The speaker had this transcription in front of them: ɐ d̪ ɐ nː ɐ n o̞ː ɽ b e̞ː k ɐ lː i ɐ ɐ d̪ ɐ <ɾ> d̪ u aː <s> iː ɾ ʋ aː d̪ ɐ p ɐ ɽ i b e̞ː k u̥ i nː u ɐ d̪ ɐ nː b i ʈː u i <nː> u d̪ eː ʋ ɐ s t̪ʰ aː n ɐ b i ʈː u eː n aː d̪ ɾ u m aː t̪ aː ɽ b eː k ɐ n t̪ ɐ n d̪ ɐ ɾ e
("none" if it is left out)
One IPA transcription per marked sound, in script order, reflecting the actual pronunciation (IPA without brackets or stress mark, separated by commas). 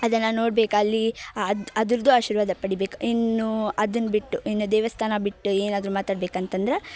ɾ, ʃ, nː